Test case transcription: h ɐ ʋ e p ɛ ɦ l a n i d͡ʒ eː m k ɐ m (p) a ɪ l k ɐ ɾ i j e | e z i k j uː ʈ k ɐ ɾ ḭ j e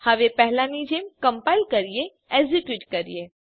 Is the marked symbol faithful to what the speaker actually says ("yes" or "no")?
yes